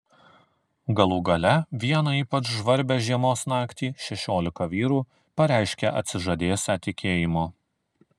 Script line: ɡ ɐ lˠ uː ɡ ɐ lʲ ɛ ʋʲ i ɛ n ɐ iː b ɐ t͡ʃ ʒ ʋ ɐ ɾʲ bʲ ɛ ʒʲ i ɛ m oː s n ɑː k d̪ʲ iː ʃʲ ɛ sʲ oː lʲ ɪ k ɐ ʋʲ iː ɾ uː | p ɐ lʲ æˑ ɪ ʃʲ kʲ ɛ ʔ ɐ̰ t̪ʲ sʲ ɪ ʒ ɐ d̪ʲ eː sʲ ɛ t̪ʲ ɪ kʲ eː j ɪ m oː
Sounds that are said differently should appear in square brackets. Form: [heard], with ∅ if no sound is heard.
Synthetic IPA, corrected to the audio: ɡ ɐ lˠ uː ɡ ɐ lʲ ɛ ʋʲ i ɛ n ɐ iː [p] ɐ t͡ʃ ʒ ʋ ɐ ɾʲ bʲ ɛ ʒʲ i ɛ m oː s n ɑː k [t̪ʲ] iː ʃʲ ɛ [ʃʲ] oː lʲ ɪ k ɐ ʋʲ iː ɾ uː | p ɐ [ɾʲ] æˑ ɪ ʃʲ kʲ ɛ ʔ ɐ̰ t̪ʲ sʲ ɪ ʒ ɐ d̪ʲ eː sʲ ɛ t̪ʲ ɪ kʲ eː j ɪ m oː